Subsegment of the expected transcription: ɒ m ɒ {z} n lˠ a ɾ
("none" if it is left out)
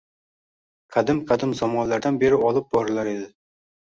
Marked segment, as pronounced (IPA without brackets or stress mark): none